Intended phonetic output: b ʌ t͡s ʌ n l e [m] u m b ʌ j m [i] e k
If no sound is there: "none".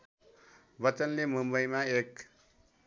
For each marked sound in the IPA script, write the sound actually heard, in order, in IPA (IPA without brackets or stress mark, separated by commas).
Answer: m, a